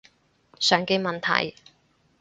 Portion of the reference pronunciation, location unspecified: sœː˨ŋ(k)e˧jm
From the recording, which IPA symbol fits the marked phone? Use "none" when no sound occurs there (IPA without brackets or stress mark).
k